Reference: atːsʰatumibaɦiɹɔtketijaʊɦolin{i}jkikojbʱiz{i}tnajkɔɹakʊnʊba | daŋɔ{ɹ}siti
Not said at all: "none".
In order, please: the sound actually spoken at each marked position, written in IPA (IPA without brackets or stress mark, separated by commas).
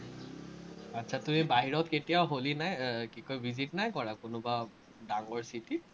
a, i, ɹ